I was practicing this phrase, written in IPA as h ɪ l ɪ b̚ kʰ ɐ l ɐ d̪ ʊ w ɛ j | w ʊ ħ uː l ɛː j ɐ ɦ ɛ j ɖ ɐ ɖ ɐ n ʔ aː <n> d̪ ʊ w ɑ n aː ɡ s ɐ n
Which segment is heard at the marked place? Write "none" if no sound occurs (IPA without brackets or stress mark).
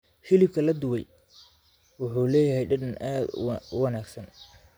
none